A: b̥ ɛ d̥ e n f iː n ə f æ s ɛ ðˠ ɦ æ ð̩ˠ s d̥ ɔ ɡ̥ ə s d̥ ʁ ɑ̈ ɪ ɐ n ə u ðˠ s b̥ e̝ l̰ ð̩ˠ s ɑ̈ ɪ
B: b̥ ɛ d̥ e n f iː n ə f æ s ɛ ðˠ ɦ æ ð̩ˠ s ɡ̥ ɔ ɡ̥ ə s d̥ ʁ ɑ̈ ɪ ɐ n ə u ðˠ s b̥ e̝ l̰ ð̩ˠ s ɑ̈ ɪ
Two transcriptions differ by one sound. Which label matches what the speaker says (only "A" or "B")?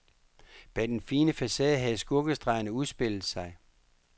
B